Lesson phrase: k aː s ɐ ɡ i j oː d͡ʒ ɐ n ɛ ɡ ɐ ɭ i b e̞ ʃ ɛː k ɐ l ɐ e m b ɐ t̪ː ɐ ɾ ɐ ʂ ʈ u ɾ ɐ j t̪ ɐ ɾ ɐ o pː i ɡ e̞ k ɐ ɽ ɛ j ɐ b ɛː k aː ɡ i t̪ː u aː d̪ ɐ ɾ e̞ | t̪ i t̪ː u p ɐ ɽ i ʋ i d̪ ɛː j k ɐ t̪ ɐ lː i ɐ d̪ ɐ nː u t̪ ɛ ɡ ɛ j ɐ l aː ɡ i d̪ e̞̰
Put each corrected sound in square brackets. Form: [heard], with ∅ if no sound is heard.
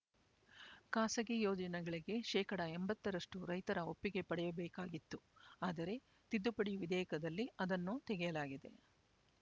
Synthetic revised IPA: k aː s ɐ ɡ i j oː d͡ʒ ɐ n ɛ ɡ ɐ ɭ i [ɡ] e̞ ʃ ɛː k ɐ [ɽ] ɐ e m b ɐ t̪ː ɐ ɾ ɐ ʂ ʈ u ɾ ɐ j t̪ ɐ ɾ ɐ o pː i ɡ e̞ [p] ɐ ɽ ɛ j ɐ b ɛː k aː ɡ i t̪ː u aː d̪ ɐ ɾ e̞ | t̪ i [d̪ː] u p ɐ ɽ i ʋ i d̪ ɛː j k ɐ [d̪] ɐ lː i ɐ d̪ ɐ nː u t̪ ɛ ɡ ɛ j ɐ l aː ɡ i d̪ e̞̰